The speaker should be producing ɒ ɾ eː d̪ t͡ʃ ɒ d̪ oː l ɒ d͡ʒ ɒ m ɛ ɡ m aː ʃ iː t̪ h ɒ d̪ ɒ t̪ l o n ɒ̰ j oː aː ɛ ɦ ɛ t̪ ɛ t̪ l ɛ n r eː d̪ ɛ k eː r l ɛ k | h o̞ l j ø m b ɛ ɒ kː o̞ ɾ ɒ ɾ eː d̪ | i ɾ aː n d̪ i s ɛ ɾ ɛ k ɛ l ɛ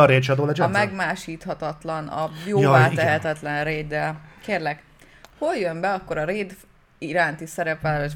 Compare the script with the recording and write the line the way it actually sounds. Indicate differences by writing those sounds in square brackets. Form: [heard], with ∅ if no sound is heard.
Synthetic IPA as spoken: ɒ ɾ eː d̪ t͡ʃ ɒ d̪ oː l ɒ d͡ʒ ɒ m ɛ ɡ m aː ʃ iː t̪ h ɒ [t̪] ɒ t̪ l [ɒ] n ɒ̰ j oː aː ɛ ɦ ɛ t̪ ɛ t̪ l ɛ n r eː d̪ ɛ k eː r l ɛ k | h o̞ l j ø m b ɛ ɒ kː o̞ ɾ ɒ ɾ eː d̪ | i ɾ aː n [t̪] i s ɛ ɾ ɛ [p] ɛ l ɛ